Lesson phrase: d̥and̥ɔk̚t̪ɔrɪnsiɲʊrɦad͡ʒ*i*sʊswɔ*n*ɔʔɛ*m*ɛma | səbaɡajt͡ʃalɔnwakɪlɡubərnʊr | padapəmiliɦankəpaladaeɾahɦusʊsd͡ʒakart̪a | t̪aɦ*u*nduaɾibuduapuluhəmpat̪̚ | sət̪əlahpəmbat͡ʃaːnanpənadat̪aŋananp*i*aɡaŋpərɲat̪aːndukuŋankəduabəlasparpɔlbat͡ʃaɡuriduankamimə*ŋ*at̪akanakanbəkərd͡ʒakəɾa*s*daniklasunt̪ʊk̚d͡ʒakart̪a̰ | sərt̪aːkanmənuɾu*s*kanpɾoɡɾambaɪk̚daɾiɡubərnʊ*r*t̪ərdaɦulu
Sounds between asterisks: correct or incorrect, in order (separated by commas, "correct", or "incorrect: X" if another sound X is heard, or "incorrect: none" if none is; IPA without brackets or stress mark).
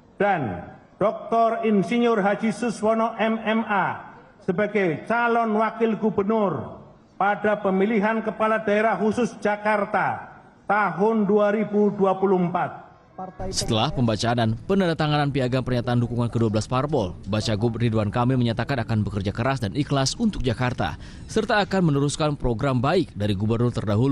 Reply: correct, correct, correct, incorrect: ʊ, correct, incorrect: ɲ, correct, correct, correct